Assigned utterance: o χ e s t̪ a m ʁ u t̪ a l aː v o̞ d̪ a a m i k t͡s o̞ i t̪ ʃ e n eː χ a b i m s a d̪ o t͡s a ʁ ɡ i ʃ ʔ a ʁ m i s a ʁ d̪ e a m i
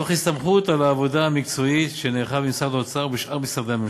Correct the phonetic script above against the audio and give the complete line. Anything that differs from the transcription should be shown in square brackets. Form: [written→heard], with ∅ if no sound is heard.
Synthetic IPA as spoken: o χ [e→i] s t̪ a m [ʁ→χ] u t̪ a l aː v o̞ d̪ a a m i k t͡s o̞ i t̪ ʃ e n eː χ a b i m s a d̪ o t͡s a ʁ [ɡ→b] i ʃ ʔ a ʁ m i s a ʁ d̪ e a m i